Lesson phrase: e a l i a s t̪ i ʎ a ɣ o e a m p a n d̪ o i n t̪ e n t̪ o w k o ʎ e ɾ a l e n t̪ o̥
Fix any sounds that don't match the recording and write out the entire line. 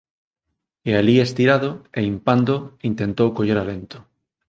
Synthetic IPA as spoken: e a l i e s t̪ i ɾ a ð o e i m p a n d̪ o i n t̪ e n t̪ o w k o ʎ e ɾ a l e n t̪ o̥